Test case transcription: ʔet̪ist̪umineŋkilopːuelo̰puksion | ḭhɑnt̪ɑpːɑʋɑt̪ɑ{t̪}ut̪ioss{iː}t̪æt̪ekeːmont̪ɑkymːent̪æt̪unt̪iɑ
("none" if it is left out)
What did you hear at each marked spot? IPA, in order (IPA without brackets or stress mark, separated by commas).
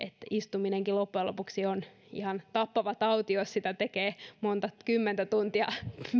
none, i